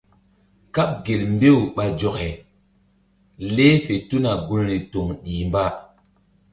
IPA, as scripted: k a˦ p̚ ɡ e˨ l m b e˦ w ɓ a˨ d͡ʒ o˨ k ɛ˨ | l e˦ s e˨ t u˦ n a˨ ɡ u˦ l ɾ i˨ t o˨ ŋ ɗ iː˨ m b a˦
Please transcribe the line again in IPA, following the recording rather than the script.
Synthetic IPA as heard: k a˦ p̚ ɡ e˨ l m b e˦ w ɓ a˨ d͡ʒ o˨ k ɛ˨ | l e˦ f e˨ t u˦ n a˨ ɡ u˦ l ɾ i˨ t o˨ ŋ ɗ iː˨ m b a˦

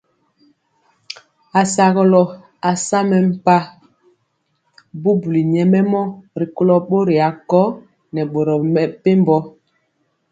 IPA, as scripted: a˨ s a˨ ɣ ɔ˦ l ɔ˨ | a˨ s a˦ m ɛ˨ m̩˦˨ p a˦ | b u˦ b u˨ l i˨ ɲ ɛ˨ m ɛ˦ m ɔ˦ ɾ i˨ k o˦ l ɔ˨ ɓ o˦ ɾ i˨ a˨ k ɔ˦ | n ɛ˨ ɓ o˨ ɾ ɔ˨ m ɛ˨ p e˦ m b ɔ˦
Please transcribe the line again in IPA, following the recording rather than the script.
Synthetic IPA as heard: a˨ s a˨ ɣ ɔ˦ l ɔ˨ | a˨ s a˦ m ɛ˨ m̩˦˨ p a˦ | b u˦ b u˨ l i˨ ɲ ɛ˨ m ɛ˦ m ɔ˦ ɾ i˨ k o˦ l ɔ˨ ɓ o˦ ɾ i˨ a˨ k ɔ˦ | n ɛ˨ ɓ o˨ ɾ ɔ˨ m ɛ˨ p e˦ m b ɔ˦

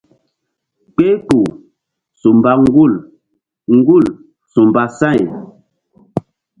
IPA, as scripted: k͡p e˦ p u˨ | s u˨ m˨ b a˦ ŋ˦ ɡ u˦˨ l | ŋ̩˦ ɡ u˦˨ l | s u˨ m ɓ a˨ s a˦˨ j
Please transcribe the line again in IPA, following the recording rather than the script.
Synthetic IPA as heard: k͡p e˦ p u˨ | s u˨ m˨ b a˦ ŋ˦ ɡ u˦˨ l | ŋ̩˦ ɡ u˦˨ l | s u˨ m b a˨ s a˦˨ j

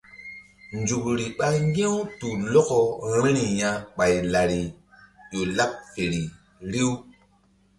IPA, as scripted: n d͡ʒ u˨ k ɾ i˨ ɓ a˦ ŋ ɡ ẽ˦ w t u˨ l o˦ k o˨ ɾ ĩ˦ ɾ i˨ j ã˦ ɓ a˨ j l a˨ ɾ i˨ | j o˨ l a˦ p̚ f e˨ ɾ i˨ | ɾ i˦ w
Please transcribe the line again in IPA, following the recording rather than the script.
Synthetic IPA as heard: n d͡ʒ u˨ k ɾ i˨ ɓ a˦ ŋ ɡ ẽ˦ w t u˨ l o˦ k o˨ ɾ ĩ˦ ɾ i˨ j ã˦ ɓ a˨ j l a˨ ɾ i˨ | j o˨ l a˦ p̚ f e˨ ɾ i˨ | ɾ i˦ w

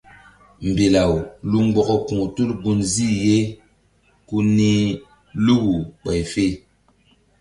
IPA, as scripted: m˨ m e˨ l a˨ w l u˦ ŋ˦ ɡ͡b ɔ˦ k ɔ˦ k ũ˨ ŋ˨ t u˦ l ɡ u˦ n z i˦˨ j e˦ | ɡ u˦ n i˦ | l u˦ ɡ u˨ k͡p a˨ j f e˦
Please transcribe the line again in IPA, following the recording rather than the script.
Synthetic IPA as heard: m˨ b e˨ l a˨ w l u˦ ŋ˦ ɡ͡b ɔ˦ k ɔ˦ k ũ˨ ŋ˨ t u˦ l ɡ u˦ n z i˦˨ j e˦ | k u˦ n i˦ | l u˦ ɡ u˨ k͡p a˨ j f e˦

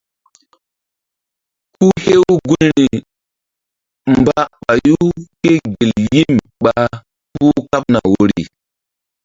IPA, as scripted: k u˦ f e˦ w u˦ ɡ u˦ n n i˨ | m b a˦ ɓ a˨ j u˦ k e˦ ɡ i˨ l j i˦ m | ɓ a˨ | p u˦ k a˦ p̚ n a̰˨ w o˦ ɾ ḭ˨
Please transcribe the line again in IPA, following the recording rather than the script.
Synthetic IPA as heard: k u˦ h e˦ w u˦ ɡ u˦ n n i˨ | m b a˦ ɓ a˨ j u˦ k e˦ ɡ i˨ l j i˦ m | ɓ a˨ | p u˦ k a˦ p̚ n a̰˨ w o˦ ɾ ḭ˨

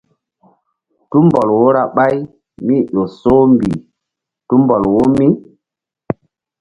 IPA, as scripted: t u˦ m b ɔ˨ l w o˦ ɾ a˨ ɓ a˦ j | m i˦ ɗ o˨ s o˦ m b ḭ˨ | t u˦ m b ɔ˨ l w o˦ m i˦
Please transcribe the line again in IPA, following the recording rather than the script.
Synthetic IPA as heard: t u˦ m b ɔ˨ l w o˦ ɾ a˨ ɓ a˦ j | m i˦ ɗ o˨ s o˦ m b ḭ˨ | t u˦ m b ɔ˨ l w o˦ m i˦

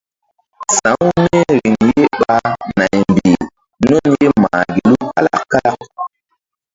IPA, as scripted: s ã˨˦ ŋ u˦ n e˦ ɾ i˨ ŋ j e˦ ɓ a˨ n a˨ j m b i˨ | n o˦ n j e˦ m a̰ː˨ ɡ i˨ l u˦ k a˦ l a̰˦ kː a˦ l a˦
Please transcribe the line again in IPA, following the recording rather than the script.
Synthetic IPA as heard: s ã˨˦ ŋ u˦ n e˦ ɾ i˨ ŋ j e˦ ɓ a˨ n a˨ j m b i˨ | n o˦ n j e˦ m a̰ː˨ ɡ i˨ l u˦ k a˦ l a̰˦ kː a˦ l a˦

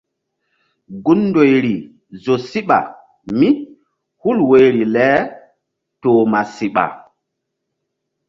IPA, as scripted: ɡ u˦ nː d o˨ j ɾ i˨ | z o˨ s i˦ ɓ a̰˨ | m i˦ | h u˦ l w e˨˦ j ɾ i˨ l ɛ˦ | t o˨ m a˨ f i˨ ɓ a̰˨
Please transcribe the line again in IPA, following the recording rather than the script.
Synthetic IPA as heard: ɡ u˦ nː d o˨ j ɾ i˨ | z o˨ s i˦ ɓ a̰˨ | m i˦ | h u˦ l w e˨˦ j ɾ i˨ l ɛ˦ | t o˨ m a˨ s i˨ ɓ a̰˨

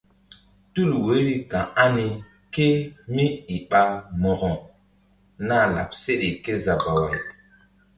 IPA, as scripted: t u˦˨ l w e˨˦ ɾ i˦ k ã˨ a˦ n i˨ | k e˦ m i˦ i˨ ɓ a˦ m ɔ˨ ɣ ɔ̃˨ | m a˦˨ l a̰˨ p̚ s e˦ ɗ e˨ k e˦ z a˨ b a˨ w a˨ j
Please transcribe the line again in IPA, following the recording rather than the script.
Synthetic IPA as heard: t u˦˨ l w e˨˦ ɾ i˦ k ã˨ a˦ n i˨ | k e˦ m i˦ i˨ ɓ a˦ m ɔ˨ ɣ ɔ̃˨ | n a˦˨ l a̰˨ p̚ s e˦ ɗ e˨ k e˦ z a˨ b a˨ w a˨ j

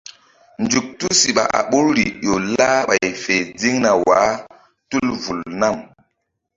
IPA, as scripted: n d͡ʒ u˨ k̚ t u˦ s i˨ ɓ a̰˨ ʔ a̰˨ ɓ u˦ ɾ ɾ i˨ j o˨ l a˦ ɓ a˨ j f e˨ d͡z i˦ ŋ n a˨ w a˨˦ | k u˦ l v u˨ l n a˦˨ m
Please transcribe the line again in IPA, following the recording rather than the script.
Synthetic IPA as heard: n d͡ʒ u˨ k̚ t u˦ s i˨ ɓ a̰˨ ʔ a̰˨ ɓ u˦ ɾ ɾ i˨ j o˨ l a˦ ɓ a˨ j f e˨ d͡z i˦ ŋ n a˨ w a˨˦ | t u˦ l v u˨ l n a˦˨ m

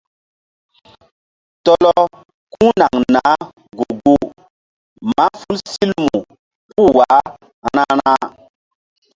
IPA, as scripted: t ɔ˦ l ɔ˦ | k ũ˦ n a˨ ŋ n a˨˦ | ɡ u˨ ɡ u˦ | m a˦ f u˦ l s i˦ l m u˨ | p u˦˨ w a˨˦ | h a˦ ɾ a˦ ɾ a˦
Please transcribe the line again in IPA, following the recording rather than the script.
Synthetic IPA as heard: t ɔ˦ l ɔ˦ | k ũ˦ n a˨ ŋ n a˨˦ | ɡ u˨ ɡ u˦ | m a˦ f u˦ l s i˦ l m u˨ | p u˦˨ w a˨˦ | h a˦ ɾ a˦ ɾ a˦

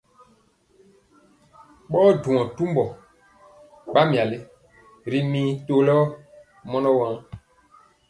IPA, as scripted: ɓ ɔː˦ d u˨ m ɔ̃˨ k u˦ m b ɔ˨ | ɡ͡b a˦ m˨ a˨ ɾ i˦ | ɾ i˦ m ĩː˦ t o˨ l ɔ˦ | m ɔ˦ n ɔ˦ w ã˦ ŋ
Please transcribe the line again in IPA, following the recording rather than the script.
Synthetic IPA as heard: ɓ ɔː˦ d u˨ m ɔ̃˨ t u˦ m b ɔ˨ | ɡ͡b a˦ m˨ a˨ l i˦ | ɾ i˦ m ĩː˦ t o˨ l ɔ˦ | m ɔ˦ n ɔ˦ w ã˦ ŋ

